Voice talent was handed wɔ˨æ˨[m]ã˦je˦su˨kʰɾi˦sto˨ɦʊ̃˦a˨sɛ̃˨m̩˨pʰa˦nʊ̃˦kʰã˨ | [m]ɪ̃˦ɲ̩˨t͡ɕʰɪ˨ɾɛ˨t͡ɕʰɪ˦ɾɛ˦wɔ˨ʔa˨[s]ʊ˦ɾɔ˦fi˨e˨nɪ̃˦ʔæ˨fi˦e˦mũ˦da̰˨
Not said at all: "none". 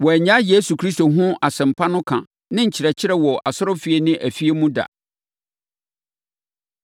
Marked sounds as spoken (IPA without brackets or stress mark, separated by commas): ɲ, n, s